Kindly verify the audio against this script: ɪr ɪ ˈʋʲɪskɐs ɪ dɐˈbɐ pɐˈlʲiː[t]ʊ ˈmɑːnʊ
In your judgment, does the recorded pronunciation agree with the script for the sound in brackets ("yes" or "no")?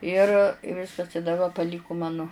no